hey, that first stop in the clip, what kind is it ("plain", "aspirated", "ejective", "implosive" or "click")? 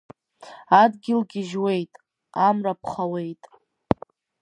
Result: plain